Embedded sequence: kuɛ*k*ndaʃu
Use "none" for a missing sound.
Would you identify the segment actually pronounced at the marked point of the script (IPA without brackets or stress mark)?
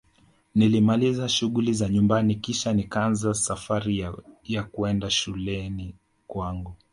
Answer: none